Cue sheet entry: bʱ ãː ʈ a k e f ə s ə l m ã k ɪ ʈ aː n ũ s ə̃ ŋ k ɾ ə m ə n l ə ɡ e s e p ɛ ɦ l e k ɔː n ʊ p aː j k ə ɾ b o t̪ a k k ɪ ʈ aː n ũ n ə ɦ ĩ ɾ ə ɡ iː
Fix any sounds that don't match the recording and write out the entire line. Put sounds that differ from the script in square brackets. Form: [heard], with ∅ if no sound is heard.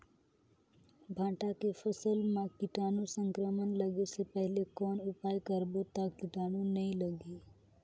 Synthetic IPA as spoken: bʱ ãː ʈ a k e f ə s ə l m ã k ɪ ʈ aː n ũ s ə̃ ŋ k ɾ ə m ə n l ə ɡ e s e p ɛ ɦ l e k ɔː n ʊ p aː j k ə ɾ b o t̪ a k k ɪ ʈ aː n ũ n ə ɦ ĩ [l] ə ɡ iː